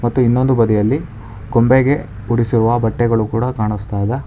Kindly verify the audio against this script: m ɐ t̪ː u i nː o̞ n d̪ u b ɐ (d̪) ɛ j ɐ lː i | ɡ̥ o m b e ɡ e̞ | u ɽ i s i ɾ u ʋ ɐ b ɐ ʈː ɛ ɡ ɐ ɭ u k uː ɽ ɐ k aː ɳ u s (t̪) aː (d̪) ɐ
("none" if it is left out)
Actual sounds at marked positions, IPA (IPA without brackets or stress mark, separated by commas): d̪, t̪, d̪